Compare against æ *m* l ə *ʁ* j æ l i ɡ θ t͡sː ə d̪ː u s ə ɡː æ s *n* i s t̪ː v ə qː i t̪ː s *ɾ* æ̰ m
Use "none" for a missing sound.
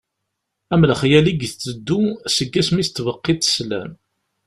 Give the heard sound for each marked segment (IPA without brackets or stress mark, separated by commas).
m, χ, m, l